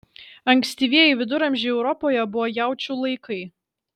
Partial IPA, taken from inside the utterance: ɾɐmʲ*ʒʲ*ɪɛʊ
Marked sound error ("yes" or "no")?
no